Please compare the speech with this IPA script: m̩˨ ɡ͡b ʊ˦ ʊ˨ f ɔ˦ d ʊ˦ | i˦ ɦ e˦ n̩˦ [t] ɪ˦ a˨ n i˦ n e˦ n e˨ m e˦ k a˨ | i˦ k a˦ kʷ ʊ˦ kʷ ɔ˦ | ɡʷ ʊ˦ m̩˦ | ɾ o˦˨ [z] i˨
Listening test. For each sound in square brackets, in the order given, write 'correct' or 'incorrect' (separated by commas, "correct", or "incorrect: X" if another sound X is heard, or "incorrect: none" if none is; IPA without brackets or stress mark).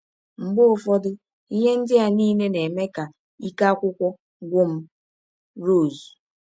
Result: incorrect: d, correct